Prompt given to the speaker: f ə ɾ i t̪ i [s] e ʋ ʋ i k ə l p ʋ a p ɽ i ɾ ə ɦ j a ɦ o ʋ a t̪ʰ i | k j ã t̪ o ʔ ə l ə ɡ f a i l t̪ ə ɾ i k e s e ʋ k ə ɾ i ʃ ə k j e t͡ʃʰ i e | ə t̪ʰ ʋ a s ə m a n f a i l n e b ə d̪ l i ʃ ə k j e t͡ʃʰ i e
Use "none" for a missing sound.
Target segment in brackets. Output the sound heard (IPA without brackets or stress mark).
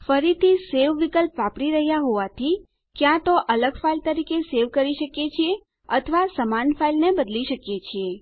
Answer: s